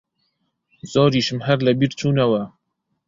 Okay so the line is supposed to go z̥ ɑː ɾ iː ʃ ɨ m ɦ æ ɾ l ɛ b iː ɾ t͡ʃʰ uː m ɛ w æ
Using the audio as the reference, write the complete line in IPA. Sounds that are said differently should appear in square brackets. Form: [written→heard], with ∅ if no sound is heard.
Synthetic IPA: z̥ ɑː ɾ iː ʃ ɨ m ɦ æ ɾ l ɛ b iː ɾ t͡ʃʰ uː [m→n] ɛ w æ